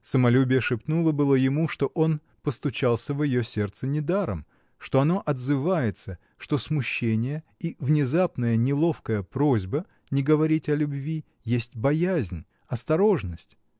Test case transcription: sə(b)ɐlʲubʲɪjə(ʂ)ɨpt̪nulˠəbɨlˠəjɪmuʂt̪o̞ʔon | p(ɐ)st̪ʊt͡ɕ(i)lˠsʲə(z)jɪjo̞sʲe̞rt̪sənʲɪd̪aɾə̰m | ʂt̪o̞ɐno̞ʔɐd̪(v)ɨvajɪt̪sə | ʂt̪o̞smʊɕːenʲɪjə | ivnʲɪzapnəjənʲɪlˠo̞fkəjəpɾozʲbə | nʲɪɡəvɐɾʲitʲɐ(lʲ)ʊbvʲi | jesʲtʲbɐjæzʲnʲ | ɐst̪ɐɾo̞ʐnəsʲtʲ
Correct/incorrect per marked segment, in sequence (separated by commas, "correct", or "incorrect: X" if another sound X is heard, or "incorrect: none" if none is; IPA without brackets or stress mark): incorrect: m, correct, incorrect: ə, incorrect: a, incorrect: v, incorrect: z, correct